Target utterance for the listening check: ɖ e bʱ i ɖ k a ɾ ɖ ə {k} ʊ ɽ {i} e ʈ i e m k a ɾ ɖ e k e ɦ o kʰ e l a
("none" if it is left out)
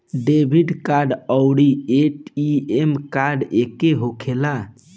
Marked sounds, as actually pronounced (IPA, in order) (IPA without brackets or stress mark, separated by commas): none, i